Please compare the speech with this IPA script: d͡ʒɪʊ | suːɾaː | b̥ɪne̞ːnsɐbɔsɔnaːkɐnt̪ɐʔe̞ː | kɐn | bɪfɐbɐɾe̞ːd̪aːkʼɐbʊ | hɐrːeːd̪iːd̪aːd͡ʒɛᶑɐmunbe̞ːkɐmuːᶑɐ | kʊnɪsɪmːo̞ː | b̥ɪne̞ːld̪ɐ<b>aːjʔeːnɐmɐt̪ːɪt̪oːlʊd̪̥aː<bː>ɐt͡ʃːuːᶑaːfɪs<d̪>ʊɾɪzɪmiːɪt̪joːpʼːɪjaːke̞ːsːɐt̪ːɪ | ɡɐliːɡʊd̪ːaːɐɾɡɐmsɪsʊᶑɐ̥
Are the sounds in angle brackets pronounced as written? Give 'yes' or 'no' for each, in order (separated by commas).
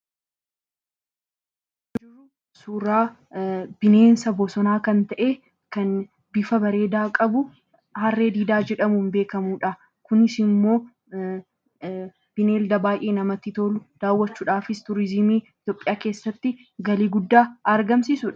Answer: yes, no, no